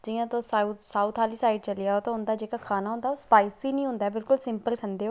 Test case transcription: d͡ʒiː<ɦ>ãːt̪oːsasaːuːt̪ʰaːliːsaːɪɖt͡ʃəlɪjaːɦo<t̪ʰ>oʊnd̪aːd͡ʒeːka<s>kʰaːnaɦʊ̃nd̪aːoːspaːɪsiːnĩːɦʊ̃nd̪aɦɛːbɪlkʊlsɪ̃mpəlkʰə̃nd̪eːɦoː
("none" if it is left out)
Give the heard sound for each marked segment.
none, t̪, none

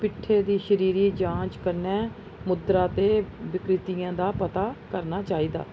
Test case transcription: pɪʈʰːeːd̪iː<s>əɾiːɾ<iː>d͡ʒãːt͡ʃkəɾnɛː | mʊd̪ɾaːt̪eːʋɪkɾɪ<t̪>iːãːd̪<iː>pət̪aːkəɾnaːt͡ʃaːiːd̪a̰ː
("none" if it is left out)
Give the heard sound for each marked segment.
ʃ, iː, t̪, aː

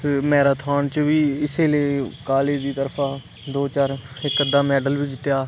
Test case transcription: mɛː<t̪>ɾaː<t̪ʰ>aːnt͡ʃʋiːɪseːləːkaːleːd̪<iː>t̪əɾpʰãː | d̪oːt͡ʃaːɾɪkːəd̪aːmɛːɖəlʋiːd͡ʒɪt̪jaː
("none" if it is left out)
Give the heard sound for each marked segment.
none, t̪ʰ, iː

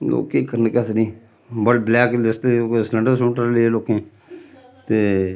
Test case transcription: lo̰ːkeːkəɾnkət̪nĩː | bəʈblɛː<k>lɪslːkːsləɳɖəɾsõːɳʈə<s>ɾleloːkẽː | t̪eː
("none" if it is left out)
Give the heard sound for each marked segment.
k, none

